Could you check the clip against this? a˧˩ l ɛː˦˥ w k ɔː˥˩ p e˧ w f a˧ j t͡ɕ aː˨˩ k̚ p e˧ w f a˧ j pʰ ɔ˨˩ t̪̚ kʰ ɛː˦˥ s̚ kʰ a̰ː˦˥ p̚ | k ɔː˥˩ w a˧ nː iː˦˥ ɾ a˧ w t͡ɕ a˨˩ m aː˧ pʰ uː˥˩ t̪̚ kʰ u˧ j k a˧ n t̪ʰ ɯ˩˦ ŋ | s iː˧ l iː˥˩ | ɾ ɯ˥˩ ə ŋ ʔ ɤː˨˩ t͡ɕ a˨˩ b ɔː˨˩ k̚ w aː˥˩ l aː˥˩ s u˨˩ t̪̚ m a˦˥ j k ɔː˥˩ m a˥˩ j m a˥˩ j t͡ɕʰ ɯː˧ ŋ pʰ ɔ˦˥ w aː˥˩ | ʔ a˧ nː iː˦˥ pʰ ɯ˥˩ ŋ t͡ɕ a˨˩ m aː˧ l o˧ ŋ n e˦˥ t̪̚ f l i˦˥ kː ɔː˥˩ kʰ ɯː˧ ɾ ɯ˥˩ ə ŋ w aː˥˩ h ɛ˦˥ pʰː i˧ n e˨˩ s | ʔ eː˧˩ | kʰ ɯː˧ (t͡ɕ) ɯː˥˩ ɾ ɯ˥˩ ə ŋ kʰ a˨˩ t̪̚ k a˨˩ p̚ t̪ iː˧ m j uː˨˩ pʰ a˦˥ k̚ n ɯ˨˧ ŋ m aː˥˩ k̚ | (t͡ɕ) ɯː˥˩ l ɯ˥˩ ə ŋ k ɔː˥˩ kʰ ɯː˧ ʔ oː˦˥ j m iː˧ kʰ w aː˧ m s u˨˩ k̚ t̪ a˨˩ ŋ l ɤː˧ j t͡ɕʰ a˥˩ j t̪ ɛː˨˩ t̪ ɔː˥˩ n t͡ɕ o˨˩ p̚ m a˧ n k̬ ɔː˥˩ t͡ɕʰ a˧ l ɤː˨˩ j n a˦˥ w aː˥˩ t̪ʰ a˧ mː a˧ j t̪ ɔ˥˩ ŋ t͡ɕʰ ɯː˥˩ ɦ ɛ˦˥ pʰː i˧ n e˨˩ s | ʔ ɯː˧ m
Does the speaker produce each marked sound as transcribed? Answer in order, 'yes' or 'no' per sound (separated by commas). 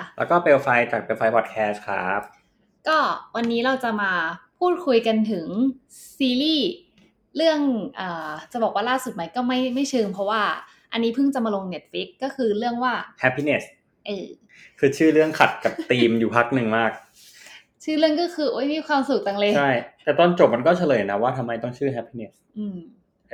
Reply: no, no